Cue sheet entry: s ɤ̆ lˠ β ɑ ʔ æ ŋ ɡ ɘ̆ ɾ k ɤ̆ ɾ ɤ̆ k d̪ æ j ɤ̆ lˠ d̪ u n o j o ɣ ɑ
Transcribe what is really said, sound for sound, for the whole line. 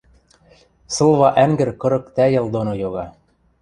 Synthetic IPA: s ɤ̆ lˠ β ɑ ʔ æ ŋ ɡ ɘ̆ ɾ k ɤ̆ ɾ ɤ̆ k t̪ æ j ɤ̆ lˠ d̪ o n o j o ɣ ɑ